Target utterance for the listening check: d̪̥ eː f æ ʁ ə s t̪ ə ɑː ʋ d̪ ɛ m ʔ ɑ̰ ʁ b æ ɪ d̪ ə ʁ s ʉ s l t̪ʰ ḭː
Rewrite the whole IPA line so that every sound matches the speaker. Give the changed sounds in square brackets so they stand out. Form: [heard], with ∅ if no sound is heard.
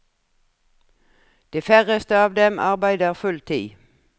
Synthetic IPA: d̪̥ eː f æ ʁ ə s t̪ ə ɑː ʋ d̪ ɛ m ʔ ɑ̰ ʁ b æ ɪ d̪ ə ʁ [f] ʉ [∅] l t̪ʰ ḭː